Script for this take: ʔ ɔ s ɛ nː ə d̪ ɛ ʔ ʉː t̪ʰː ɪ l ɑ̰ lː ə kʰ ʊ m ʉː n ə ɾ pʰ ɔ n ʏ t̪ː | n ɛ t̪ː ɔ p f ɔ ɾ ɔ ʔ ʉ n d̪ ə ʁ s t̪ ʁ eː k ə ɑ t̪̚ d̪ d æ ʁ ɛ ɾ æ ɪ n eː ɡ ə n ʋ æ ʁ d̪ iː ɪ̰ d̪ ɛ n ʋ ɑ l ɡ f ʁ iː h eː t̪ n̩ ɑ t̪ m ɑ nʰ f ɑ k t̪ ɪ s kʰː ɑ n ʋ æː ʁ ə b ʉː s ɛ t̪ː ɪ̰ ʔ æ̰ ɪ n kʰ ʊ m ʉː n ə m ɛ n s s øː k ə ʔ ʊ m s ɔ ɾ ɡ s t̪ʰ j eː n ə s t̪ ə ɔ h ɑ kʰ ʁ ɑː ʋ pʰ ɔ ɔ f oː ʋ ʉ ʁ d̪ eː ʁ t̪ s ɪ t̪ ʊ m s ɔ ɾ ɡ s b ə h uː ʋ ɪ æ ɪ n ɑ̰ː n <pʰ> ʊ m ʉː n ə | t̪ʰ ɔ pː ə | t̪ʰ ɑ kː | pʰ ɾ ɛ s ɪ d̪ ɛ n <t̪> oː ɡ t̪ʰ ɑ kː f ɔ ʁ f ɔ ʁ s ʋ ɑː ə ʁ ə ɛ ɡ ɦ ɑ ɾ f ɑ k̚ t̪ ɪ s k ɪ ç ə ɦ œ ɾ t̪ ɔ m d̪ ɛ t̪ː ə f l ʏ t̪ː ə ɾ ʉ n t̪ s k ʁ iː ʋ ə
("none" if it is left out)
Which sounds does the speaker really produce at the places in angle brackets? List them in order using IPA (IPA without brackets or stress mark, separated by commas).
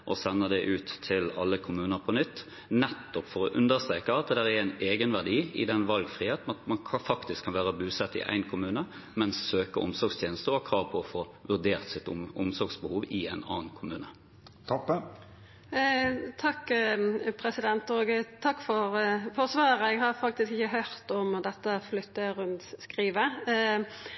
kʰ, t̪